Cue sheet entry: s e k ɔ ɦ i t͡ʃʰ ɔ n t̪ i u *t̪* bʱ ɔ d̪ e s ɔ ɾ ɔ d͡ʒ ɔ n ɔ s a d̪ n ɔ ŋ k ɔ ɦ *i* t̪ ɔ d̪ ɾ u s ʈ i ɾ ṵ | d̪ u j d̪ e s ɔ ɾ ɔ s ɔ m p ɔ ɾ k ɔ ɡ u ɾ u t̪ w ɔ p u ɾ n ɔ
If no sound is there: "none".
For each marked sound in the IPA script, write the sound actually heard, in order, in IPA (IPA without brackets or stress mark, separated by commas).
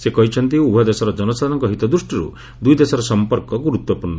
none, i